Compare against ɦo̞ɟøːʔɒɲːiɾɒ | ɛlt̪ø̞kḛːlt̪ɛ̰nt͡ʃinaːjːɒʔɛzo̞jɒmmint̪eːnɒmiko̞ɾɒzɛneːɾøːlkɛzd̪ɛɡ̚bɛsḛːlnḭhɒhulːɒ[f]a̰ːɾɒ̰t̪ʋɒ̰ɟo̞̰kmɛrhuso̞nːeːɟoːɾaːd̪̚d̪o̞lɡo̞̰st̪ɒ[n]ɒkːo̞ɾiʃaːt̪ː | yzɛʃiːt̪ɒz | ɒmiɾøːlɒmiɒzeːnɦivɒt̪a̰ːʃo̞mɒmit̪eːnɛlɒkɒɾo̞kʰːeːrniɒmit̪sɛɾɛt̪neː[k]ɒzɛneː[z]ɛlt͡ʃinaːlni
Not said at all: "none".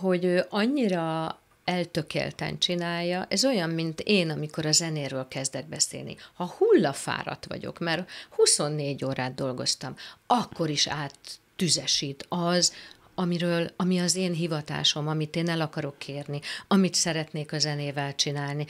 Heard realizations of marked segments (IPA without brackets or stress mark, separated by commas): f, m, k, v